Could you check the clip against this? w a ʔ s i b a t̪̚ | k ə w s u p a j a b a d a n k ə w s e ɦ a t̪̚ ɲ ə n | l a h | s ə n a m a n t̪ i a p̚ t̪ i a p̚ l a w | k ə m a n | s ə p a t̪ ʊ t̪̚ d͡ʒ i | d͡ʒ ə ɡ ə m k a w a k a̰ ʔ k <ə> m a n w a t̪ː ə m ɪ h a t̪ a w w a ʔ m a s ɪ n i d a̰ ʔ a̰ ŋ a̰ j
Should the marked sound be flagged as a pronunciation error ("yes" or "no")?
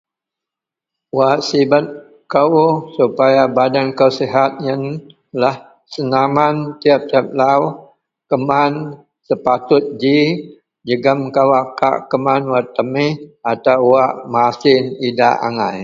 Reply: no